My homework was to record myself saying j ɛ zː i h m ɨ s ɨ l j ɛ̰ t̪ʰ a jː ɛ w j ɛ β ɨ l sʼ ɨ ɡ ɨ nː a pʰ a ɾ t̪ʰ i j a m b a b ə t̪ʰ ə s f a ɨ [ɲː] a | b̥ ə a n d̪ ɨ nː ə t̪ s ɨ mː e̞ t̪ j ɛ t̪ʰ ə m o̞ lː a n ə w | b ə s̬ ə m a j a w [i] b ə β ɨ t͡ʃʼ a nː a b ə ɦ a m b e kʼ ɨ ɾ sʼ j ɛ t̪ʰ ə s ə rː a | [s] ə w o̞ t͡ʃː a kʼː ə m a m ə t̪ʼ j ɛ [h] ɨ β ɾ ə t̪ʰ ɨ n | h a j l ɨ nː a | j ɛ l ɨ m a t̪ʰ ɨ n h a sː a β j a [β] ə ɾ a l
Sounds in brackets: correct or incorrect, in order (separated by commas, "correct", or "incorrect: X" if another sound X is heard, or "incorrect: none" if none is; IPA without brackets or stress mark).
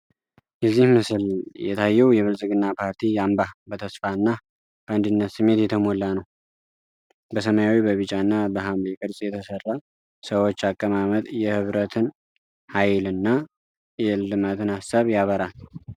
incorrect: nː, correct, correct, correct, correct